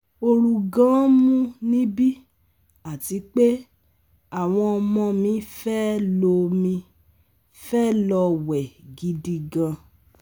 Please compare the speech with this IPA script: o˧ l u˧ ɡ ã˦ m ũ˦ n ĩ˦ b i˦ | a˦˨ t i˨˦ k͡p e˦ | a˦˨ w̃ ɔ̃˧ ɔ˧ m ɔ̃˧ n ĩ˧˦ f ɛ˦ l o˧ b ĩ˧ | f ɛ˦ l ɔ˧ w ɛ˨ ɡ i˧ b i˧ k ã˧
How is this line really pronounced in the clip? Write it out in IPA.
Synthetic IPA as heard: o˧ ɾ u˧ ɡ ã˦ m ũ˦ n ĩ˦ b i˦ | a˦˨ t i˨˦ k͡p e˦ | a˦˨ w̃ ɔ̃˧ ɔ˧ m ɔ̃˧ m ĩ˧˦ f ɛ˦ l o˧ m ĩ˧ | f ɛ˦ l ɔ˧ w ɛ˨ ɡ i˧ d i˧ ɡ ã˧